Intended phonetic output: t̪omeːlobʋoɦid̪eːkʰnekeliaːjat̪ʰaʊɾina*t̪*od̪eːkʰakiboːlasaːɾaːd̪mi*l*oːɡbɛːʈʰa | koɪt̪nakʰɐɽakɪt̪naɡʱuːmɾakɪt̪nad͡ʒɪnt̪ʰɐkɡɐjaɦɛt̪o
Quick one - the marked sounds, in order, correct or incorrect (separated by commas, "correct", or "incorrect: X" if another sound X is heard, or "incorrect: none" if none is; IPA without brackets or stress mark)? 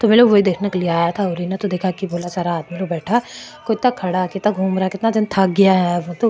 correct, correct